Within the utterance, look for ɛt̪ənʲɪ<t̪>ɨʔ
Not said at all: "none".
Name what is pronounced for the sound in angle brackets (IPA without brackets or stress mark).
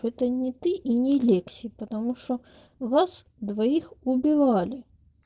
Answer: t̪